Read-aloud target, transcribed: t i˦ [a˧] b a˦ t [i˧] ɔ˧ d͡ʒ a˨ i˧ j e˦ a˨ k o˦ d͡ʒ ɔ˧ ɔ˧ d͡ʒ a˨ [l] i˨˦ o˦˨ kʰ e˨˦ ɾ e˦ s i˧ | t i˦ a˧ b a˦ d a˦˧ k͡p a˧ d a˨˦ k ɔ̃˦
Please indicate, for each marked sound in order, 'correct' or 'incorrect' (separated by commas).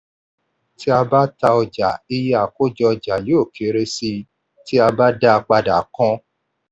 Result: correct, incorrect, correct